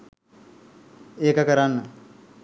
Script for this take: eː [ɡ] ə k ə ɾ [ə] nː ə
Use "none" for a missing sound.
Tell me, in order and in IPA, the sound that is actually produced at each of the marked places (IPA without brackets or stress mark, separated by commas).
k, a